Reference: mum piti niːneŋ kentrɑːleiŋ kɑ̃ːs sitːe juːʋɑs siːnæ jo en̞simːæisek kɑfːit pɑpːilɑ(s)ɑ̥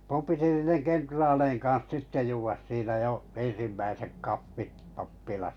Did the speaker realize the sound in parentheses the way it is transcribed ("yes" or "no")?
yes